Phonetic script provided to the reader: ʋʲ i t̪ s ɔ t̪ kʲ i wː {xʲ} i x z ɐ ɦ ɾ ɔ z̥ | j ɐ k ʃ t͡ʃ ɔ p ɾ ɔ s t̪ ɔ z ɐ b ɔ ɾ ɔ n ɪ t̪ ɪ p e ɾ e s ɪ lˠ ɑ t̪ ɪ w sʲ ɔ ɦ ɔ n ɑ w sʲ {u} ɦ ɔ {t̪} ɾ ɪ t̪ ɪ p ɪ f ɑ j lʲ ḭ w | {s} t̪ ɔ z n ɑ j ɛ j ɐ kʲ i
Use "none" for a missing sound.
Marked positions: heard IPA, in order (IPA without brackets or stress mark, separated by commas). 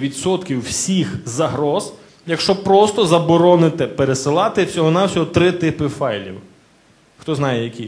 sʲ, ɔ, t̪, x